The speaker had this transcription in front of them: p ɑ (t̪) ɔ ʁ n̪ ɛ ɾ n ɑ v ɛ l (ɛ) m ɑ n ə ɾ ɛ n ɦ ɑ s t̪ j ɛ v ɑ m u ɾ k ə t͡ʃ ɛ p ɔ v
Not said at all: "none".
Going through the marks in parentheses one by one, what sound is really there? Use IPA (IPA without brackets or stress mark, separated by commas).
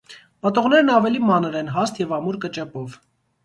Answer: t̪, i